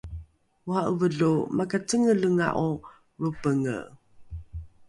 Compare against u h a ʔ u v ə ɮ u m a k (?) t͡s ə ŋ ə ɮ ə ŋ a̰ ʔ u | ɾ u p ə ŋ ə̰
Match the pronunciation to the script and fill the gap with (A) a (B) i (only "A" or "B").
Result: A